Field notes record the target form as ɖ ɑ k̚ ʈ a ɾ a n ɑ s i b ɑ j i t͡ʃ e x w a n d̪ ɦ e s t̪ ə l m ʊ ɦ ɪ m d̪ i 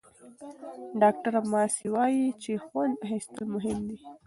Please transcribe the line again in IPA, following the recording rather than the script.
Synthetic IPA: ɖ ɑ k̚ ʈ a ɾ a m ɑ s i w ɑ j i t͡ʃ e x w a n d̪ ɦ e s t̪ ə l m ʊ ɦ ɪ m d̪ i